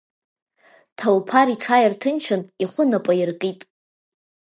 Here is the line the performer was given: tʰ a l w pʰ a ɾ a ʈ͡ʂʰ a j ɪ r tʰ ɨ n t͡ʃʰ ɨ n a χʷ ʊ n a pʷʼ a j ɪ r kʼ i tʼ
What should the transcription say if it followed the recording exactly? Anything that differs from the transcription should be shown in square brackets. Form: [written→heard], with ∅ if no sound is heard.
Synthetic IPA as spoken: tʰ a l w pʰ a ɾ [a→i] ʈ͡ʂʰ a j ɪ r tʰ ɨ n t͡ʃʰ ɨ n [a→i] χʷ ʊ n a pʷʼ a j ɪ r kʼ i tʼ